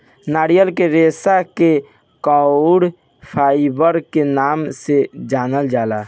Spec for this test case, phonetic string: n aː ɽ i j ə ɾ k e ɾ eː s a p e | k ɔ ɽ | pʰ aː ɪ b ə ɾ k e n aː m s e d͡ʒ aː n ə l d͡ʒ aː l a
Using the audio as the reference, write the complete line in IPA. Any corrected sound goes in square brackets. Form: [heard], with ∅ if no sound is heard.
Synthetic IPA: n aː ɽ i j ə [l] k e ɾ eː s a [k] e | k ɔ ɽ | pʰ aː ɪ b ə ɾ k e n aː m s e d͡ʒ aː n ə l d͡ʒ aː l a